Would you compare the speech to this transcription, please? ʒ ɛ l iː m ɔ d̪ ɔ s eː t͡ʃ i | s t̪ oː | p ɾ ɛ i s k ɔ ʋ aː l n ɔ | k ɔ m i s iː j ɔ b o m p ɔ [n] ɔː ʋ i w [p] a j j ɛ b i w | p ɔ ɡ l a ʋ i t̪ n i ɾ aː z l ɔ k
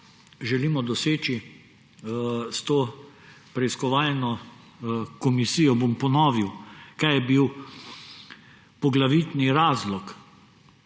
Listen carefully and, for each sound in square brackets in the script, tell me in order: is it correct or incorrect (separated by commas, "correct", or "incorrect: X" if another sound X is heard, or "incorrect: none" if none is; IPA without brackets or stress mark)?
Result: correct, incorrect: k